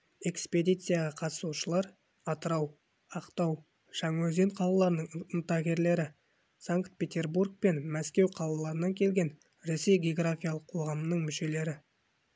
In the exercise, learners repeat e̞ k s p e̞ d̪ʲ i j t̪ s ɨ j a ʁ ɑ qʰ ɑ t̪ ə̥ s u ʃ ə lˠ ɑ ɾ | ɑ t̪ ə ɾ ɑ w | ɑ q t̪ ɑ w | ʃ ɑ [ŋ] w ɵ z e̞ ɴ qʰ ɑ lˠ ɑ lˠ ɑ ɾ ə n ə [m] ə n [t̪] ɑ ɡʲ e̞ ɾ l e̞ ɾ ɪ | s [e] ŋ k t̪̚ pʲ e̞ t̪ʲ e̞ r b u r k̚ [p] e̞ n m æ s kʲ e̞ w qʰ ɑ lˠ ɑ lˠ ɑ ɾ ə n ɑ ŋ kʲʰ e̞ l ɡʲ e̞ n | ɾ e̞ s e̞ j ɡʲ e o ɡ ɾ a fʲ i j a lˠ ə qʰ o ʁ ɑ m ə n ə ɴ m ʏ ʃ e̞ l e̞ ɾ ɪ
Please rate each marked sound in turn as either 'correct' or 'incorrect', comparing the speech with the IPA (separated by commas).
correct, incorrect, correct, incorrect, correct